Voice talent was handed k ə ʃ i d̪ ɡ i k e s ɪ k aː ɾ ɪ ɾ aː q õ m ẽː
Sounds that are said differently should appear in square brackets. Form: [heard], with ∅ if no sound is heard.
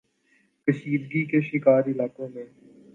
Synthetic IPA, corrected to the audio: k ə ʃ [iː] d̪ ɡ i k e [ʃ] ɪ k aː ɾ ɪ [l] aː [k] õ m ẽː